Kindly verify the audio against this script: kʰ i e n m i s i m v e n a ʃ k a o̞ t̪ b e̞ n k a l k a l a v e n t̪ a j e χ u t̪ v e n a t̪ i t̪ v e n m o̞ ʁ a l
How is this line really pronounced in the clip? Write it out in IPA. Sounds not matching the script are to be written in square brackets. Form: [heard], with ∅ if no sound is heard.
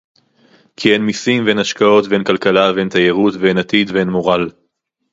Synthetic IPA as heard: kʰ i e n m i s i m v e n a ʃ k a o̞ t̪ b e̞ n k a l k a l a v e n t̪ a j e [ʁ] u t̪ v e n a t̪ i [d̪] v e n m o̞ ʁ a l

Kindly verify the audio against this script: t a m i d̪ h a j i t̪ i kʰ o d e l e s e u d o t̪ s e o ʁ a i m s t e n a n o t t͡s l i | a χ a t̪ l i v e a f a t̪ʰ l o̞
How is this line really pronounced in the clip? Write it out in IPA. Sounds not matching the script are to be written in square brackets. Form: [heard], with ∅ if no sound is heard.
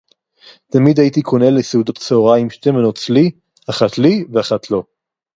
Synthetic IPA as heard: t a m i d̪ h a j i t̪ i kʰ o [n] e l e s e u d o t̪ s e o ʁ a i m [ʃ] t e [m] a n o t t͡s l i | a χ a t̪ l i v e a [χ] a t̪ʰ l o̞

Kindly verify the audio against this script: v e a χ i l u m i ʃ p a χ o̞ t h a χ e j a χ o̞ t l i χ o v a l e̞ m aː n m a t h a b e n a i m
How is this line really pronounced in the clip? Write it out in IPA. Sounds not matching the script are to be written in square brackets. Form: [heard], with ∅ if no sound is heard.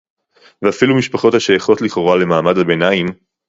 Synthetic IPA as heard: v e a [f] i l u m i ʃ p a χ o̞ t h a [ʃ] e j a χ o̞ t l i χ o [ʁ] a l e̞ m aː [∅] m a [d] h a b e n a i m

